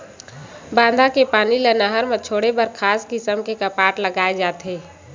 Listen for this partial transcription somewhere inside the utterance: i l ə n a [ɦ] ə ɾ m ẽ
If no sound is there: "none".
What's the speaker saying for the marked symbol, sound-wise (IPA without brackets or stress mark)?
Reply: ɦ